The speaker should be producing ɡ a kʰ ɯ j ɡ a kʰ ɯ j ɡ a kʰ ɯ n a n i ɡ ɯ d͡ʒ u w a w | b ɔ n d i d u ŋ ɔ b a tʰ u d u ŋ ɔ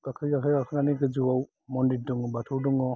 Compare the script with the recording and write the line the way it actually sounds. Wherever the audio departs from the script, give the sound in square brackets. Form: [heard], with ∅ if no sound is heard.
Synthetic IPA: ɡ a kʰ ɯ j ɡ a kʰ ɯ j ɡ a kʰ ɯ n a n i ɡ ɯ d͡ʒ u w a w | [m] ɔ n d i d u ŋ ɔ b a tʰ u d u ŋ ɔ

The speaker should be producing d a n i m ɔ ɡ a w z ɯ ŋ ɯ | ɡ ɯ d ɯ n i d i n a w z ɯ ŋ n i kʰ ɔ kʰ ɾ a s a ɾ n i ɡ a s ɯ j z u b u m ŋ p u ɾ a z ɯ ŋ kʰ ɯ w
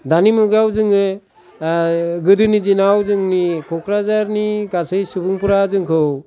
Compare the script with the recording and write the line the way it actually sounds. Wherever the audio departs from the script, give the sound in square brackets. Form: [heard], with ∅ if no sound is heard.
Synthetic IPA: d a n i m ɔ ɡ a w z ɯ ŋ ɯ | ɡ ɯ d ɯ n i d i n a w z ɯ ŋ n i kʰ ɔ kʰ ɾ a [z] a ɾ n i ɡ a s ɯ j [s] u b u [∅] ŋ p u ɾ a z ɯ ŋ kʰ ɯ w

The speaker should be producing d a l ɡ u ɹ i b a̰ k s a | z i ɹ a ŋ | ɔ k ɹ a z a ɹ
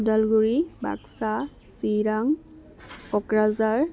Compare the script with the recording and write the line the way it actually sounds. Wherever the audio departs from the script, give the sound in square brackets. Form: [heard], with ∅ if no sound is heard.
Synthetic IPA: d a l ɡ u ɹ i b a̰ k s a | [s] i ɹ a ŋ | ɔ k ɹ a z a ɹ

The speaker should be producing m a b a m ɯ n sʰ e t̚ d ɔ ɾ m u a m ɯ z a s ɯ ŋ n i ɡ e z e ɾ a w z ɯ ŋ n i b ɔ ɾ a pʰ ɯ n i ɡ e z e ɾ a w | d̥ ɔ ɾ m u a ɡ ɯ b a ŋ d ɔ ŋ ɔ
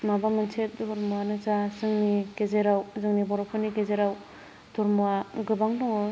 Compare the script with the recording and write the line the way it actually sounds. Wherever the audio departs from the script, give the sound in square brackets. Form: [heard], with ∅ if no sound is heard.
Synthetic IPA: m a b a m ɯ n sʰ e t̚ d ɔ ɾ m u a [n] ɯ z a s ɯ ŋ n i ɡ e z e ɾ a w z ɯ ŋ n i b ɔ ɾ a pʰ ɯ n i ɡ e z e ɾ a w | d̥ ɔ ɾ m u a ɡ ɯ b a ŋ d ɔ ŋ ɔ

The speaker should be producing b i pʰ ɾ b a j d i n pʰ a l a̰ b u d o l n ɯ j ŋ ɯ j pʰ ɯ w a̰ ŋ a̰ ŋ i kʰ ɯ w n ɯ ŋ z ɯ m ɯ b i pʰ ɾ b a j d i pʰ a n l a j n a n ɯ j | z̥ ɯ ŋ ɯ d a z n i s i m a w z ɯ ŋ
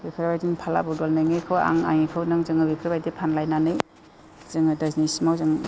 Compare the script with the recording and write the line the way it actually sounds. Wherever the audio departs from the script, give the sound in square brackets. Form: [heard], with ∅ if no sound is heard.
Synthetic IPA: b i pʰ ɾ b a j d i n pʰ a l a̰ b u d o l n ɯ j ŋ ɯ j [kʰ] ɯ w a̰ ŋ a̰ ŋ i kʰ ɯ w n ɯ ŋ z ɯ [ŋ] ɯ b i pʰ ɾ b a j d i pʰ a n l a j n a n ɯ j | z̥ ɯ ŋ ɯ d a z n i s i m a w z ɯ ŋ

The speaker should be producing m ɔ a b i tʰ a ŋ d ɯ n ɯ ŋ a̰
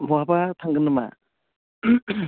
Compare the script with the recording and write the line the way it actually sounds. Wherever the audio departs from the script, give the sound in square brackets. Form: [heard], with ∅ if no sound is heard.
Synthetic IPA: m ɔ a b [a] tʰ a ŋ [ɡ] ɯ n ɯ [m] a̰

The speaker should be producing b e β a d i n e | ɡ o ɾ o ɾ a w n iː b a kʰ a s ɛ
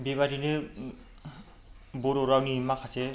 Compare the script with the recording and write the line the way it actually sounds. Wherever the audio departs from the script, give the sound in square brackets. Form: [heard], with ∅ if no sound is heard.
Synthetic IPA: b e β a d i n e | [b] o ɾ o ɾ a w n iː [m] a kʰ a s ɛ

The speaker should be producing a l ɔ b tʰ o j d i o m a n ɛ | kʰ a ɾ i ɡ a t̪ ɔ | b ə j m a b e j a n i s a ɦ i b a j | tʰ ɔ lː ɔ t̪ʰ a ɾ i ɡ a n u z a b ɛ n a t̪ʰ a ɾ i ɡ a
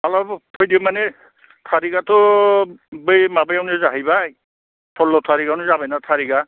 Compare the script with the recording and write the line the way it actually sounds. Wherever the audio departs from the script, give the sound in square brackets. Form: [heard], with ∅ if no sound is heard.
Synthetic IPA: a l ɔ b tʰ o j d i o m a n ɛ | [tʰ] a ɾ i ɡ a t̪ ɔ | b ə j m a b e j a n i [z] a ɦ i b a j | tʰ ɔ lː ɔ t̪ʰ a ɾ i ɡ a n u z a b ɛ n a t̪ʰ a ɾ i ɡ a

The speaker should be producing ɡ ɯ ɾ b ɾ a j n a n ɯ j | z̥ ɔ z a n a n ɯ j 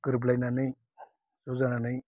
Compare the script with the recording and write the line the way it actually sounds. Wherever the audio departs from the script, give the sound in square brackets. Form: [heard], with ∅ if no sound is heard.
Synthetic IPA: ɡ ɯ ɾ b [l] a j n a n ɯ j | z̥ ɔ z a n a n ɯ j

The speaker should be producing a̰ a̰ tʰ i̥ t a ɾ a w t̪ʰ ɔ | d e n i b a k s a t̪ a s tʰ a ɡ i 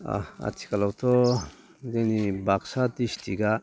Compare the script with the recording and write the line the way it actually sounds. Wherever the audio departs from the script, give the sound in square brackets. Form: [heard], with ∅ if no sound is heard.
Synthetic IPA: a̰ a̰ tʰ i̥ [k] a [l] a w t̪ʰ ɔ | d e n i b a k s a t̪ [i] s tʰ [i] ɡ [a]

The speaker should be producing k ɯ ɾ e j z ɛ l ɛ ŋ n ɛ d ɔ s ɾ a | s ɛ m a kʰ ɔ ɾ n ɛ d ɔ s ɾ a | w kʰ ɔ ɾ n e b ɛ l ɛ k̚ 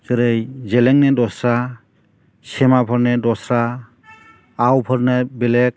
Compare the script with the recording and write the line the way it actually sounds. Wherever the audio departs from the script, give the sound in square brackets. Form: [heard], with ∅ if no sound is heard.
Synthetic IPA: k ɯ ɾ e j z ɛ l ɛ ŋ n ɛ d ɔ s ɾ a | s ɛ m a [pʰ] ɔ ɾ n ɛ d ɔ s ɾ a | w [pʰ] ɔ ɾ n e b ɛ l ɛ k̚

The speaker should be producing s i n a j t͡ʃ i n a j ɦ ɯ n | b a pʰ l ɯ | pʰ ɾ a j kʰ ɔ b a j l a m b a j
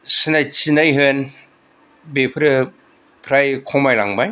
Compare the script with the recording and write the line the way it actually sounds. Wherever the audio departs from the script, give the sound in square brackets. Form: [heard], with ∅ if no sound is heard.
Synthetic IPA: s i n a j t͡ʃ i n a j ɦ ɯ n | b [e] pʰ [ɾ] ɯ | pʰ ɾ a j kʰ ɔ [m] a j l a [ŋ] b a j

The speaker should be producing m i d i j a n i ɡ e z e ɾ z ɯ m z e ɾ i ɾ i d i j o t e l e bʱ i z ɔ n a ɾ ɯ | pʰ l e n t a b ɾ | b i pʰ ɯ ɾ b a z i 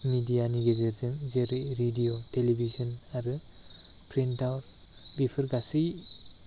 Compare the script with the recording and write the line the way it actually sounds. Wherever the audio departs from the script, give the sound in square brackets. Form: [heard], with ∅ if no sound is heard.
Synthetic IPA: m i d i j a n i ɡ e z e ɾ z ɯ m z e ɾ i ɾ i d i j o t e l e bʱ i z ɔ n a ɾ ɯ | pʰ [ɾ] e n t a [w] ɾ | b i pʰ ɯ ɾ [ɡ] a [s] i

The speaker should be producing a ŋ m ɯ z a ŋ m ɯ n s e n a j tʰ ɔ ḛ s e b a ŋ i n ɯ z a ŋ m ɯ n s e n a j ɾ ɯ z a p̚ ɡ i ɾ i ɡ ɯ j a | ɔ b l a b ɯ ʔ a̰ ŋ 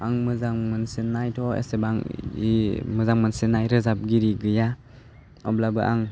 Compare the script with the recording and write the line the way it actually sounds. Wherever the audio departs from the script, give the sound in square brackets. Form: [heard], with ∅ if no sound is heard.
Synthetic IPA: a ŋ m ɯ z a ŋ m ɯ n s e n a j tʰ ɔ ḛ s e b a ŋ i [m] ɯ z a ŋ m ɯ n s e n a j ɾ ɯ z a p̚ ɡ i ɾ i ɡ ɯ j a | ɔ b l a b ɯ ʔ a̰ ŋ

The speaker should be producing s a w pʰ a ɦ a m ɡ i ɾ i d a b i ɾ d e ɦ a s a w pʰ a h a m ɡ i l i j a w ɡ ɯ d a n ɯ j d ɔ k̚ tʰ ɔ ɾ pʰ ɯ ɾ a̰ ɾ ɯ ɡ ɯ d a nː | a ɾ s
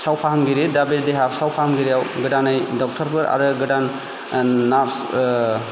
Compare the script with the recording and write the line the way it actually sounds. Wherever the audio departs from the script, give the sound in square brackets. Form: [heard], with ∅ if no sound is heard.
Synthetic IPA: s a w pʰ a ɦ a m ɡ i ɾ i d a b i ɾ d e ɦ a s a w pʰ a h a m ɡ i [ɾ] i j a w ɡ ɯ d a n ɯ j d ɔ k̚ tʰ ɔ ɾ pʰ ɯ ɾ a̰ ɾ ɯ ɡ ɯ d a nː | a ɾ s

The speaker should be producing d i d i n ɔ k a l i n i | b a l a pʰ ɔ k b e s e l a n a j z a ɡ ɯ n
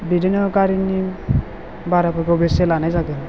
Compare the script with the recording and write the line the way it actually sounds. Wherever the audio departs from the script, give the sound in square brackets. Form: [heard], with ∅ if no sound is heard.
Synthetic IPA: [b] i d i n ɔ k a [ɾ] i n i | b a [ɾ] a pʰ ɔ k b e s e l a n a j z a ɡ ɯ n

